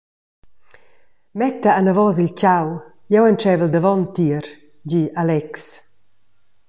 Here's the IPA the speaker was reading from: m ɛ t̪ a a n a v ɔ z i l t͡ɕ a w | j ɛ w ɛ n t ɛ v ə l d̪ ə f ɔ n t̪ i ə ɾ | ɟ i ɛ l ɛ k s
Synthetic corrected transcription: m ɛ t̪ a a n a v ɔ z i l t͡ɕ a w | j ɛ w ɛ n t͡ʃ ɛ v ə l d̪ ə v ɔ n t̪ i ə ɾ | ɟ i a l ɛ k s